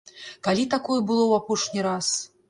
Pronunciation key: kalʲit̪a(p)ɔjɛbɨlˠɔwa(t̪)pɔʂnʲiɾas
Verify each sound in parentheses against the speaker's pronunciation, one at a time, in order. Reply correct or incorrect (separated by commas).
incorrect, incorrect